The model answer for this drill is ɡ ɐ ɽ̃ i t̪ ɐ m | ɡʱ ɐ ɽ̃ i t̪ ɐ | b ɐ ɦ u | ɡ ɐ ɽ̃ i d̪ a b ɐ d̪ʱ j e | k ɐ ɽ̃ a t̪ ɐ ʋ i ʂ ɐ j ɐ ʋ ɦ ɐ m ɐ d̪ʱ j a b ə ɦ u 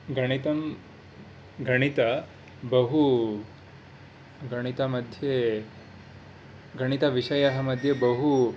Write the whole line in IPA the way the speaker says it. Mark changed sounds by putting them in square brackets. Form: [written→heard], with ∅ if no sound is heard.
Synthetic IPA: ɡ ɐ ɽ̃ i t̪ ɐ m | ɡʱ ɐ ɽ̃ i t̪ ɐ | b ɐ ɦ u | ɡ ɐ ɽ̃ i [d̪→t̪] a [b→m] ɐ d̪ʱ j e | [k→ɡ] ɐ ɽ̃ [a→i] t̪ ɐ ʋ i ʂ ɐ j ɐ [ʋ→∅] ɦ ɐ m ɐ d̪ʱ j [a→e] b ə ɦ u